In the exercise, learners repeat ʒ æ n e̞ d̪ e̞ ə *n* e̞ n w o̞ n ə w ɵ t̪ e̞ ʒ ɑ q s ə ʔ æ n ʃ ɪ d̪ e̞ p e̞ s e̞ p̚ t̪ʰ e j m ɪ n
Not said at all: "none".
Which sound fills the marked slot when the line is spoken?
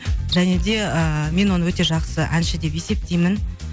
m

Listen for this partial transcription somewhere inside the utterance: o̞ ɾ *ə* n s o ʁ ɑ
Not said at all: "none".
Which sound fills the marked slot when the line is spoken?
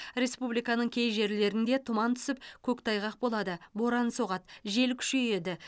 ɑ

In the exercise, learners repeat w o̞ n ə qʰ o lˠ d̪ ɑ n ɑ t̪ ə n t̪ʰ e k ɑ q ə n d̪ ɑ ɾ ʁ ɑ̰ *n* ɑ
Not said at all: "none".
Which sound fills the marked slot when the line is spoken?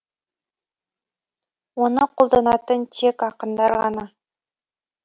n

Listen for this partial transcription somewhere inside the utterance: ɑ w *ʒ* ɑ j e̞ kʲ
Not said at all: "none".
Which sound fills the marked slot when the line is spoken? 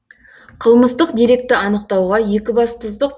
ʁ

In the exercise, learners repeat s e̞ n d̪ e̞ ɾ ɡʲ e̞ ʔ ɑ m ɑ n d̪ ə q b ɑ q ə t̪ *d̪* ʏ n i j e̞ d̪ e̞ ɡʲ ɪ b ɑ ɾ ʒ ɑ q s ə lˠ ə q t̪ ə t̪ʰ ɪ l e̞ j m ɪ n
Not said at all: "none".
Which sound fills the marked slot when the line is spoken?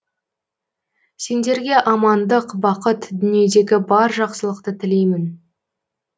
d̪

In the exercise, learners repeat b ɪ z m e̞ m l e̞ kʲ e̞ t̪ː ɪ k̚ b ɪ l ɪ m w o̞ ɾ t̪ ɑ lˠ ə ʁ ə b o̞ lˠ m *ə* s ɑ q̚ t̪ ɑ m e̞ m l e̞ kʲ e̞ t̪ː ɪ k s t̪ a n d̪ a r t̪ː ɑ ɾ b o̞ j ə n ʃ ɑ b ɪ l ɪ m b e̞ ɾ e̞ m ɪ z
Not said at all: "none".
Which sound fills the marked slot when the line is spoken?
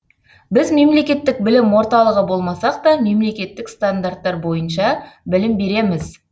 ɑ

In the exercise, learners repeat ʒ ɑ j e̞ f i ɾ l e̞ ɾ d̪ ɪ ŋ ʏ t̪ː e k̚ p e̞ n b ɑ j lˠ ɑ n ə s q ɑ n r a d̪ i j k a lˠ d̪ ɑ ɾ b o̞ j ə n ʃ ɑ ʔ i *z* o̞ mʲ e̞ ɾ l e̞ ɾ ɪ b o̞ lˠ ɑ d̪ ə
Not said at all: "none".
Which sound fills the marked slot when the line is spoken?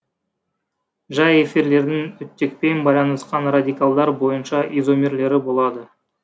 z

